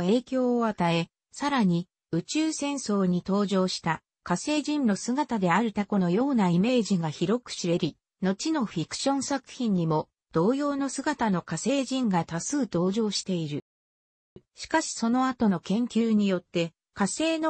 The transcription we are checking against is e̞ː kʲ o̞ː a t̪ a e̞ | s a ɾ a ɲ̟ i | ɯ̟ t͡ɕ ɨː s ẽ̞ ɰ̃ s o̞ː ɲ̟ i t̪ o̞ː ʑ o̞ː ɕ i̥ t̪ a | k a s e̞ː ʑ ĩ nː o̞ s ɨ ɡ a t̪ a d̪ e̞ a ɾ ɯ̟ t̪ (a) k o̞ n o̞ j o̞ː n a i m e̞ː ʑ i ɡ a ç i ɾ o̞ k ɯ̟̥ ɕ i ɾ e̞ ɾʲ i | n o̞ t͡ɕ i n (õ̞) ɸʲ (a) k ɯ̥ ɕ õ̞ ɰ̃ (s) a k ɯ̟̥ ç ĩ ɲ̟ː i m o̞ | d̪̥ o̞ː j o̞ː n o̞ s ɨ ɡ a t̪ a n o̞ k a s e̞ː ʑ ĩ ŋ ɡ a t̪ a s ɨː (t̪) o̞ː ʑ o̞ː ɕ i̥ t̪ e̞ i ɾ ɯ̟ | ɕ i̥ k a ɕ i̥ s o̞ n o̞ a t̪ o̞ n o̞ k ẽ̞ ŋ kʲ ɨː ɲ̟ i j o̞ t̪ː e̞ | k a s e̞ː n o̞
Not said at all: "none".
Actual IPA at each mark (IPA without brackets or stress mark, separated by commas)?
a, o̞, i, s, t̪